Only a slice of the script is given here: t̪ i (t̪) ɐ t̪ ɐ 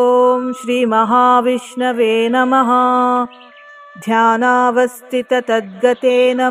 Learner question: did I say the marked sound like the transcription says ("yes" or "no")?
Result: yes